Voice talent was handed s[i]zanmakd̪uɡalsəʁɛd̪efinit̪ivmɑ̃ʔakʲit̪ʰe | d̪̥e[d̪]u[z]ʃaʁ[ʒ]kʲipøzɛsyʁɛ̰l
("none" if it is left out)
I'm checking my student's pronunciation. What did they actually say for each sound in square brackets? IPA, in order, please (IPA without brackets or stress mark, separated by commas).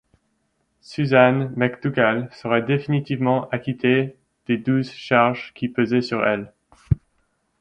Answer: y, d̪, z, ʒ